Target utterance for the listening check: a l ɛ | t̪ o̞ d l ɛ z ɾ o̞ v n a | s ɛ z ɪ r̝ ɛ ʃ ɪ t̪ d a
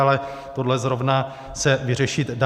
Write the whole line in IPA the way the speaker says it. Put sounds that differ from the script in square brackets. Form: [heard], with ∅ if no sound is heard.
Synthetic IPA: a l ɛ | t̪ o̞ d l ɛ z ɾ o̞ v n a | s ɛ [v] ɪ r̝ ɛ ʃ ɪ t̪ d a